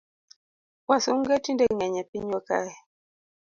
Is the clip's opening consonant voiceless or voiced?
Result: voiced